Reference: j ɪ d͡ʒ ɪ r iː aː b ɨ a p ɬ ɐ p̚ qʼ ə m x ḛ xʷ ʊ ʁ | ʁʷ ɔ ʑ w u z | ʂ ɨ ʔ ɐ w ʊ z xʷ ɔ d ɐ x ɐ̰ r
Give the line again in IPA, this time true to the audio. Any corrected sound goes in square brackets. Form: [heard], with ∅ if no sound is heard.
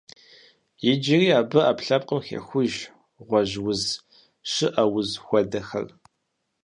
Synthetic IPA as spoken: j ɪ d͡ʒ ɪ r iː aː b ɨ a p ɬ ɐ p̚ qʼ ə m x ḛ xʷ ʊ [ʒ] | ʁʷ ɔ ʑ w [ʊ] z | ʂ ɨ ʔ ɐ w ʊ z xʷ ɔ d ɐ x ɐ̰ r

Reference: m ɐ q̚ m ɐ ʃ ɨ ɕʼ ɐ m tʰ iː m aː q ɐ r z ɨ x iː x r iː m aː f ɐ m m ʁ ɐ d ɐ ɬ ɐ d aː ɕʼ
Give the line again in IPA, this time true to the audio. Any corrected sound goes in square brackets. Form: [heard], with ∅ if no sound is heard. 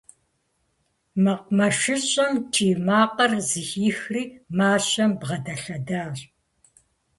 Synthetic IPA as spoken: m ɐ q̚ m ɐ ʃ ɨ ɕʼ ɐ m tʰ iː m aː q ɐ r z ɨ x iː x r iː m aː [ɕ] ɐ m [b] ʁ ɐ d ɐ ɬ ɐ d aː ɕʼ

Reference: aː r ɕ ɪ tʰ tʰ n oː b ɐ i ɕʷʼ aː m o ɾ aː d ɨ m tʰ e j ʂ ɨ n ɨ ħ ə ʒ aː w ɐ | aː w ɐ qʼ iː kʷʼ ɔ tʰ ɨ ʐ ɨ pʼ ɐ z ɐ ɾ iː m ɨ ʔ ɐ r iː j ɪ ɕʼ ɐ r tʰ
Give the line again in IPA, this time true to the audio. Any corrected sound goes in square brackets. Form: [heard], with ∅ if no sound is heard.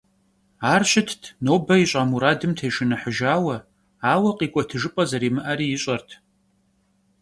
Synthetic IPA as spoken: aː r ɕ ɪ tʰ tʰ n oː b ɐ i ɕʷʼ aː m [u] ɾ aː d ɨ m tʰ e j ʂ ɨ n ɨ ħ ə ʒ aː w ɐ | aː w ɐ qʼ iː kʷʼ ɔ tʰ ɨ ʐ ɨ pʼ ɐ z ɐ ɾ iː m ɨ ʔ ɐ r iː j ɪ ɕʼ ɐ r tʰ

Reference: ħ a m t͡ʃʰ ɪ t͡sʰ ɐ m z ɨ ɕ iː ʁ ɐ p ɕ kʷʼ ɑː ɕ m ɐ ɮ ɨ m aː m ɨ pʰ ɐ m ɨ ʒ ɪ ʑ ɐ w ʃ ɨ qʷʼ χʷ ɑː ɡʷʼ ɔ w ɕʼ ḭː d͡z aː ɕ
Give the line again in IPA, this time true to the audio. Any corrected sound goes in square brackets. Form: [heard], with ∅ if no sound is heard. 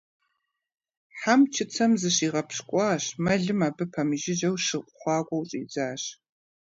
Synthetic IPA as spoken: ħ a m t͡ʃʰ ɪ t͡sʰ ɐ m z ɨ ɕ iː ʁ ɐ p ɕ kʷʼ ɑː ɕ m ɐ ɮ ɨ m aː [b] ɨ pʰ ɐ m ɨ ʒ ɪ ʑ ɐ w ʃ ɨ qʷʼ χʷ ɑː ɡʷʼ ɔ w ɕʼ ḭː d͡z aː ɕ

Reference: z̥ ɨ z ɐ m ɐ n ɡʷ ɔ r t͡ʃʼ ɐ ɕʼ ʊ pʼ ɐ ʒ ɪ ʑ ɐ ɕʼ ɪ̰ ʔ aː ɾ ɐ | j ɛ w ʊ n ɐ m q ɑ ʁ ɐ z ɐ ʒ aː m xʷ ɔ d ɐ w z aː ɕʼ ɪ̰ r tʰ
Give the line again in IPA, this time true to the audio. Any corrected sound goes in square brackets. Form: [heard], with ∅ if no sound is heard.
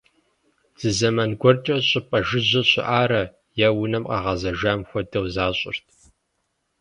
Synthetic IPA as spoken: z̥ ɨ z ɐ m ɐ n ɡʷ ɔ r t͡ʃʼ ɐ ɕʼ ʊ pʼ ɐ ʒ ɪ ʑ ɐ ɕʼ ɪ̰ ʔ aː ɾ ɐ | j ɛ w ʊ n ɐ m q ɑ ʁ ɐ z ɐ ʒ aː m xʷ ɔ d ɐ w z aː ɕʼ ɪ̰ r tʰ

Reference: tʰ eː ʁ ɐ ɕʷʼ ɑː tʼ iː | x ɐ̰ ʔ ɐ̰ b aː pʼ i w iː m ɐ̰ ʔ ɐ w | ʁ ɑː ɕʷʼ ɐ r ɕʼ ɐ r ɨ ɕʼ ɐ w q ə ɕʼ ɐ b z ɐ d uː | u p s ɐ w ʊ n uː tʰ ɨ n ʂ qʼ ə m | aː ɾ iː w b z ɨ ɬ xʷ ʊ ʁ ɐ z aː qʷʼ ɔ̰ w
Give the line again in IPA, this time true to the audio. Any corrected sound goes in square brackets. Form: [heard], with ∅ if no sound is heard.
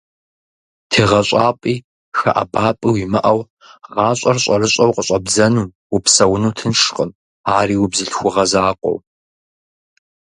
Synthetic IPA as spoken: tʰ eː ʁ ɐ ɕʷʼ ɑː [pʼ] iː | x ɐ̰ ʔ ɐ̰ b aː pʼ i w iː m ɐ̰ ʔ ɐ w | ʁ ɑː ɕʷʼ ɐ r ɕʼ ɐ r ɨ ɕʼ ɐ w q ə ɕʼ ɐ b z ɐ [n] uː | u p s ɐ w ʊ n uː tʰ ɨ n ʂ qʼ ə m | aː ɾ iː w b z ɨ ɬ xʷ ʊ ʁ ɐ z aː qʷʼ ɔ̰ w

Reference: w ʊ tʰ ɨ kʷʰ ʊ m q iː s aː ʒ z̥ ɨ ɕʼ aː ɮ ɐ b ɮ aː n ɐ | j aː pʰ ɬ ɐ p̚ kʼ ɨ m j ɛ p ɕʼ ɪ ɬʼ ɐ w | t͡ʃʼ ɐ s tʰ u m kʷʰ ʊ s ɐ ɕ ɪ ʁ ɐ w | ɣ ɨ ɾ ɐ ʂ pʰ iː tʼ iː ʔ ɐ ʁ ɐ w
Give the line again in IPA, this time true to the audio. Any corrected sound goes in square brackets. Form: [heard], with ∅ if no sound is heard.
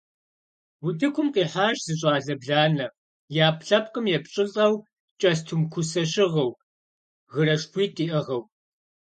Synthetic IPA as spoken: w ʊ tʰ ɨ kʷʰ ʊ m q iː [ħ] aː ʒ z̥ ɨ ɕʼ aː ɮ ɐ b ɮ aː n ɐ | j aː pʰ ɬ ɐ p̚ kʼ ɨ m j ɛ p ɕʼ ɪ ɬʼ ɐ w | t͡ʃʼ ɐ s tʰ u m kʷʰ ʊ s ɐ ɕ ɪ ʁ ɐ w | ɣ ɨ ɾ ɐ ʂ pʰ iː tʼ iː ʔ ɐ ʁ ɐ w

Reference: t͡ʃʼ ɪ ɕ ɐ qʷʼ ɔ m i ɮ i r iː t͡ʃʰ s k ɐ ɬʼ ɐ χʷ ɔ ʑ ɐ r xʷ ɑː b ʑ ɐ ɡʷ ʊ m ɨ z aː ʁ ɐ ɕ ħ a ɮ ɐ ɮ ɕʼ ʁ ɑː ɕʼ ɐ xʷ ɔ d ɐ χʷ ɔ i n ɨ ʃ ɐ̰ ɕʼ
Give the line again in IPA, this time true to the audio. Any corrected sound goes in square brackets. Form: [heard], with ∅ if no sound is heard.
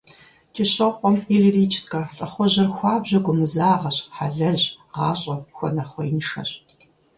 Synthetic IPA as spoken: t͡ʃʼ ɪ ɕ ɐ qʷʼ ɔ m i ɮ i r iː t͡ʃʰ s k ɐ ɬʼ ɐ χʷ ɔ ʑ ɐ r xʷ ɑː b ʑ ɐ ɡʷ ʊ m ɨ z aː ʁ ɐ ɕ ħ a ɮ ɐ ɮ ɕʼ ʁ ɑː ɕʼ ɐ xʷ ɔ [n] ɐ χʷ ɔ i n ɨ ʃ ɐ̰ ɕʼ

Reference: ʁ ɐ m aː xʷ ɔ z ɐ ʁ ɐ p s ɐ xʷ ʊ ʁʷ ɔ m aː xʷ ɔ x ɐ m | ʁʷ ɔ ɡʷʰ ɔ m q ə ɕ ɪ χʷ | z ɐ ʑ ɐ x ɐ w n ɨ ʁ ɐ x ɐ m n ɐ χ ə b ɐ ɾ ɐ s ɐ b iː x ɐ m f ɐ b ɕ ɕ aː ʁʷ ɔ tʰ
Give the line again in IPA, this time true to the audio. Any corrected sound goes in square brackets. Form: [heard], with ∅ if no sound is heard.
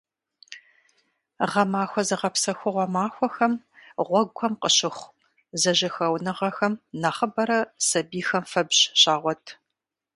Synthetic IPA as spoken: ʁ ɐ m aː xʷ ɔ z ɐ ʁ ɐ p s ɐ xʷ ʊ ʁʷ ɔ m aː xʷ ɔ x ɐ m | ʁʷ ɔ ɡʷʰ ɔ m q ə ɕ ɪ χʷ | z ɐ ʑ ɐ x ɐ w n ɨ ʁ ɐ x ɐ m n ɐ χ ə b ɐ ɾ ɐ s ɐ b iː x ɐ m f ɐ b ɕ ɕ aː ʁʷ ɔ tʰ

